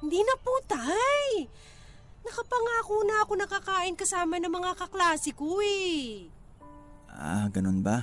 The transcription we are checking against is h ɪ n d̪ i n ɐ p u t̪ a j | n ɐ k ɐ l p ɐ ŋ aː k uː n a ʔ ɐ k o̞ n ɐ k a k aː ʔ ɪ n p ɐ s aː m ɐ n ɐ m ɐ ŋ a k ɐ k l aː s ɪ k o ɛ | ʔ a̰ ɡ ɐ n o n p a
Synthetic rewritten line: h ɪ n d̪ i n ɐ p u t̪ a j | n ɐ k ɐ p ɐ ŋ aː k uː n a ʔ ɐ k o̞ n ɐ k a k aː ʔ ɪ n k ɐ s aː m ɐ n ɐ m ɐ ŋ a k ɐ k l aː s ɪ k o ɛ | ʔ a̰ ɡ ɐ n o n b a